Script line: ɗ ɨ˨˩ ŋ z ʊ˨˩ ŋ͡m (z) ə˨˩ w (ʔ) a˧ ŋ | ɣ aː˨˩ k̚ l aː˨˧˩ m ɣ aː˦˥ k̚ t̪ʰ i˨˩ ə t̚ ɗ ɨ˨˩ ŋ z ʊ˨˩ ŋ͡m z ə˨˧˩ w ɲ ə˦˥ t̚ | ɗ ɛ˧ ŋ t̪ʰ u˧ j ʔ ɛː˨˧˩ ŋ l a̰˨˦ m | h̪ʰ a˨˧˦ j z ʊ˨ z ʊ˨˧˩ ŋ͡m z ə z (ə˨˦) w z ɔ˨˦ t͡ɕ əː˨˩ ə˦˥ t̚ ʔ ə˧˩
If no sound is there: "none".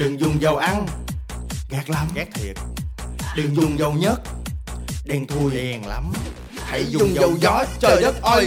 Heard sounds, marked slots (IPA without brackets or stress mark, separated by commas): z, ʔ, ə˨˩